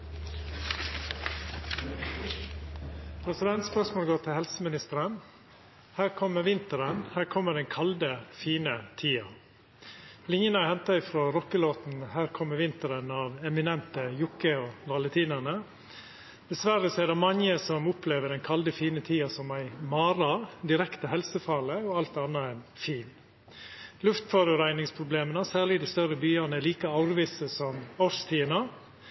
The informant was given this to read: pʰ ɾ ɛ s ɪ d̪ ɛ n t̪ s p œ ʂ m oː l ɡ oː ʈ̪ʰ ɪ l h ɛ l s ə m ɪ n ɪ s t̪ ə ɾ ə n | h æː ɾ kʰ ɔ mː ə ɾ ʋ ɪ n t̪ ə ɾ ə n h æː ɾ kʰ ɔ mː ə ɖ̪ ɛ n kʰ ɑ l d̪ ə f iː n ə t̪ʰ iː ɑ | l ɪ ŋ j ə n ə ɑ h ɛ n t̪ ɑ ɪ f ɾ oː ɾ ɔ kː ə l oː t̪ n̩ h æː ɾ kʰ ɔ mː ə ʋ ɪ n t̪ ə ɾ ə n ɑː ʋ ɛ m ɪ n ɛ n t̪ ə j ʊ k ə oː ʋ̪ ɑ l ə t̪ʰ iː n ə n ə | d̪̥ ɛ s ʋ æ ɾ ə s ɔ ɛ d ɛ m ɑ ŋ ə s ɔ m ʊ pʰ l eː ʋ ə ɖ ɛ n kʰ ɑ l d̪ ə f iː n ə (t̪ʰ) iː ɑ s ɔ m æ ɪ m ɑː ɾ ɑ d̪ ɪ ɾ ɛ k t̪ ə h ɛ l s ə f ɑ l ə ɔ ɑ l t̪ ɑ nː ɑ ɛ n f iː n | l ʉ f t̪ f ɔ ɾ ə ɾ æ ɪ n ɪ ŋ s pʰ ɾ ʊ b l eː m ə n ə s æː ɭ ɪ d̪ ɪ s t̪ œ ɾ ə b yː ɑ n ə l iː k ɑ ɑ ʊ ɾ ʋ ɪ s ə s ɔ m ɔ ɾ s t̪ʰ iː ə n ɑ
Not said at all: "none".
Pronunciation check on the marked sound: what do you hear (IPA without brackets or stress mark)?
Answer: t̪ʰ